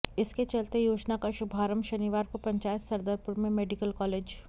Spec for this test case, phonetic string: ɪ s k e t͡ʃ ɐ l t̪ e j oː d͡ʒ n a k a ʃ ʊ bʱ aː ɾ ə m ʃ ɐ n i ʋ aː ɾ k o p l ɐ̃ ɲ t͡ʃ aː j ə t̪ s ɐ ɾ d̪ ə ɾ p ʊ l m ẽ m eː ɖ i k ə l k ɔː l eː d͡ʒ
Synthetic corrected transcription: ɪ s k e t͡ʃ ɐ l t̪ e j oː d͡ʒ n a k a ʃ ʊ bʱ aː ɾ ə m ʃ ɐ n i ʋ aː ɾ k o p ɾ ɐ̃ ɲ t͡ʃ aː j ə t̪ s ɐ ɾ d̪ ə ɾ p ʊ ɾ m ẽ m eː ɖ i k ə l k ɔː l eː d͡ʒ